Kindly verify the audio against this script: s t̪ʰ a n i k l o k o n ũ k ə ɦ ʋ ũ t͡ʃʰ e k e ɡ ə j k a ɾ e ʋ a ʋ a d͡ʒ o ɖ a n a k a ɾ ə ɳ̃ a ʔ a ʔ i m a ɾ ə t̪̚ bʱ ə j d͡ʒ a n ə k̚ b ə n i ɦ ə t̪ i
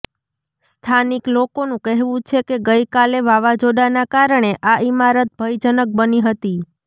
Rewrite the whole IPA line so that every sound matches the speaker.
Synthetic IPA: s t̪ʰ a n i k l o k o n ũ k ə ɦ ʋ ũ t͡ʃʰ e k e ɡ ə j k a l e ʋ a ʋ a d͡ʒ o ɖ a n a k a ɾ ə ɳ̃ e ʔ a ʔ i m a ɾ ə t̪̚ bʱ ə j d͡ʒ ə n ə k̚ b ə n i ɦ ə t̪ i

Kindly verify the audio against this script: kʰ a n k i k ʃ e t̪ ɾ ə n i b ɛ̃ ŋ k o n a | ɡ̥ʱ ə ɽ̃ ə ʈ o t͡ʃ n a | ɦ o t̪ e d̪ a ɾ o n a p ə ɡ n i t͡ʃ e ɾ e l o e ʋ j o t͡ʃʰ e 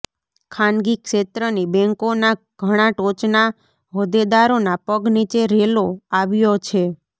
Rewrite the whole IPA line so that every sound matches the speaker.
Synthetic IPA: kʰ a n ɡ i k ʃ e t̪ ɾ ə n i b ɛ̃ ŋ k o n a | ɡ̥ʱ ə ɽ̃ a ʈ o t͡ʃ n a | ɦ o d̪ e d̪ a ɾ o n a p ə ɡ n i t͡ʃ e ɾ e l o a ʋ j o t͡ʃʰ e

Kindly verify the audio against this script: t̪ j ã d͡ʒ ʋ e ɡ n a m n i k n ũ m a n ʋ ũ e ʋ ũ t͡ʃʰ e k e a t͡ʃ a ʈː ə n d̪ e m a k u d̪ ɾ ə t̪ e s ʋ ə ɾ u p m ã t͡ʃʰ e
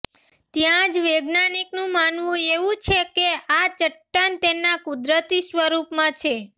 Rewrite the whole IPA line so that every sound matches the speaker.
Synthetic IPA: t̪ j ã d͡ʒ ʋ e ɡ n a n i k n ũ m a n ʋ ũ e ʋ ũ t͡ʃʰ e k e a t͡ʃ ə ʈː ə n t̪ e n a k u d̪ ɾ ə t̪ i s ʋ ə ɾ u p m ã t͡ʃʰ e

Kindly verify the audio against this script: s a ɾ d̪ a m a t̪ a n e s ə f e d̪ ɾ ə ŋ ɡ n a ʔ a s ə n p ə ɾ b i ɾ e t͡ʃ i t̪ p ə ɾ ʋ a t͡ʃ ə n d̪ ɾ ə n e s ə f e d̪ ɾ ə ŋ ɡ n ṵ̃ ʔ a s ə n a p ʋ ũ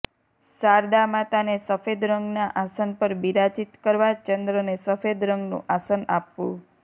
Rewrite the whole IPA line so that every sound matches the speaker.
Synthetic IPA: s a ɾ d̪ a m a t̪ a n e s ə f e d̪ ɾ ə ŋ ɡ n a ʔ a s ə n p ə ɾ b i ɾ a t͡ʃ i t̪ k ə ɾ ʋ a t͡ʃ ə n d̪ ɾ ə n e s ə f e d̪ ɾ ə ŋ ɡ n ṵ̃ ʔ a s ə n a p ʋ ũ

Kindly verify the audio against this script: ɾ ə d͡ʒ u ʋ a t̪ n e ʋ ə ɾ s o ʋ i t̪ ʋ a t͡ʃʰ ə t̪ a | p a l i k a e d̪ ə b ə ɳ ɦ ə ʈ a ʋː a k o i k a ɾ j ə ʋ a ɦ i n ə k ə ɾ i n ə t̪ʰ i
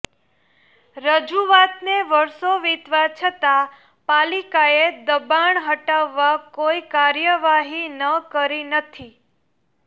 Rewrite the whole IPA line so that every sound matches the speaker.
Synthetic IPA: ɾ ə d͡ʒ u ʋ a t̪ n e ʋ ə ɾ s o ʋ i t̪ ʋ a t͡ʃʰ ə t̪ a | p a l i k a e d̪ ə b a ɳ ɦ ə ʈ a ʋː a k o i k a ɾ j ə ʋ a ɦ i n ə k ə ɾ i n ə t̪ʰ i

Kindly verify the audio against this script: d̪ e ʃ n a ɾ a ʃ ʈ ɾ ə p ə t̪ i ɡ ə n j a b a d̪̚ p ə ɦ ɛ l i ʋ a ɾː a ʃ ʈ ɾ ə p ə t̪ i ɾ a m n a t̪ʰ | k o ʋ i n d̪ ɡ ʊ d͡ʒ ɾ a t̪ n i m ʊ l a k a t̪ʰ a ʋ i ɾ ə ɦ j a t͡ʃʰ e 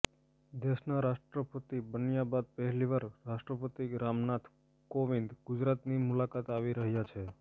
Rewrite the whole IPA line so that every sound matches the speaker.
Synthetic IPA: d̪ e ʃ n a ɾ a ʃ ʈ ɾ ə p ə t̪ i b ə n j a b a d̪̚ p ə ɦ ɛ l i ʋ a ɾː a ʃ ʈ ɾ ə p ə t̪ i ɾ a m n a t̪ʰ | k o ʋ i n d̪ ɡ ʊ d͡ʒ ɾ a t̪ n i m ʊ l a k a t̪ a ʋ i ɾ ə ɦ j a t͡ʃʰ e

